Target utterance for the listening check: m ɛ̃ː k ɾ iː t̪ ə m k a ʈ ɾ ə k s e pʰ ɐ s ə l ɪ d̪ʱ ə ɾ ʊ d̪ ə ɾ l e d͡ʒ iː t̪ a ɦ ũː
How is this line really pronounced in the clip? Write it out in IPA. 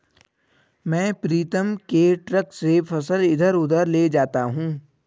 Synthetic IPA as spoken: m ɛ̃ː p ɾ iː t̪ ə m k e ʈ ɾ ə k s e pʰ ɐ s ə l ɪ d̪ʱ ə ɾ ʊ d̪ ə ɾ l e d͡ʒ aː t̪ a ɦ ũː